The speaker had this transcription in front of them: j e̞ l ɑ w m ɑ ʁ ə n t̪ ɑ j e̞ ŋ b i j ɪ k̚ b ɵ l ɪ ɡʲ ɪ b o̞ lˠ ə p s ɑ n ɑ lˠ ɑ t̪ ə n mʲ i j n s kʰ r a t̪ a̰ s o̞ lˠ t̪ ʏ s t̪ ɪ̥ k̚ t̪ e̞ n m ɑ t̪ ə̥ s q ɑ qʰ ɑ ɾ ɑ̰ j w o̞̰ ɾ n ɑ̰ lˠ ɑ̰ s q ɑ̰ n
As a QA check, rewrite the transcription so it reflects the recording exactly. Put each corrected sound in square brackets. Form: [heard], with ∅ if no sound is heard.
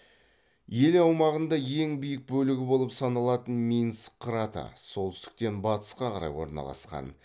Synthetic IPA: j e̞ l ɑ w m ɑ ʁ ə n [d̪] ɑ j e̞ ŋ b i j ɪ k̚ b ɵ l ɪ ɡʲ ɪ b o̞ lˠ ə p s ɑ n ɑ lˠ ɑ t̪ ə n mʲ i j n s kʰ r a t̪ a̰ s o̞ lˠ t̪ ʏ s t̪ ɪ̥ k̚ t̪ e̞ n [b] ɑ t̪ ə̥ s q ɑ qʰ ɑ ɾ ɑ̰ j w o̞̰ ɾ n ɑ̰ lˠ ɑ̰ s q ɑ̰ n